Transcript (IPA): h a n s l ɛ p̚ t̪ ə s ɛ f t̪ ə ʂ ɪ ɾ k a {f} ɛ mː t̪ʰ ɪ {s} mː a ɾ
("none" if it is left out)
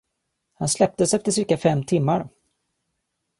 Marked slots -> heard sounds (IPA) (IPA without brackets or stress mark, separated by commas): f, none